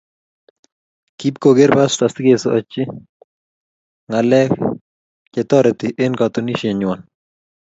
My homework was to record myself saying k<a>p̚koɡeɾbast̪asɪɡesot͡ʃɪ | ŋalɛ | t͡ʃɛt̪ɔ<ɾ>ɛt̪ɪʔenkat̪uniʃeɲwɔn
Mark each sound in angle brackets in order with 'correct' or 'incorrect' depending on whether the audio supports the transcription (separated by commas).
incorrect, correct